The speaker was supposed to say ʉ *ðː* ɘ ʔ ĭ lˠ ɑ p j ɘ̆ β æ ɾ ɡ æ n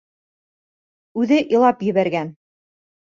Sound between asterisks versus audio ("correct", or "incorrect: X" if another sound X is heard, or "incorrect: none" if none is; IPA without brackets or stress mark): incorrect: ð